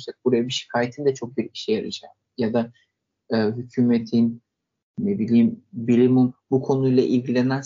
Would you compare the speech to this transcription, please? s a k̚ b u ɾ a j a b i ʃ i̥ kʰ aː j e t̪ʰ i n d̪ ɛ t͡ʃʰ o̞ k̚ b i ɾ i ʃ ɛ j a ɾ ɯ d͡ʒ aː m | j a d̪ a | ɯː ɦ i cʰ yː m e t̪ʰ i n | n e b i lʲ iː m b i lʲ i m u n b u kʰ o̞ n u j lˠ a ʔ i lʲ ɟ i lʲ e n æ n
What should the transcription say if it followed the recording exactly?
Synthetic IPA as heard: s a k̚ b u ɾ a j a b i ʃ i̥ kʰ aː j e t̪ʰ i n d̪ ɛ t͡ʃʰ o̞ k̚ b i ɾ i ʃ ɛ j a ɾ ɯ d͡ʒ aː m | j a d̪ a | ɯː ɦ y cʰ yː m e t̪ʰ i n | n e b i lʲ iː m b i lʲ i m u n b u kʰ o̞ n u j lˠ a ʔ i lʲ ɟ i lʲ e n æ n